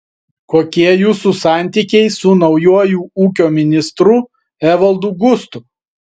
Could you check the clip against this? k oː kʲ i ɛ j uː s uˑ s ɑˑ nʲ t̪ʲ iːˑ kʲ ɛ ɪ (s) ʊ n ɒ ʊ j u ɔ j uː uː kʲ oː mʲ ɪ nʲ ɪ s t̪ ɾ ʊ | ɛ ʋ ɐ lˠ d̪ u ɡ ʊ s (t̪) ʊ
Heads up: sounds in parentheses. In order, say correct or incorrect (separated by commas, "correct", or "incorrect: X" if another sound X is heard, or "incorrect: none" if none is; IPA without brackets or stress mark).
correct, correct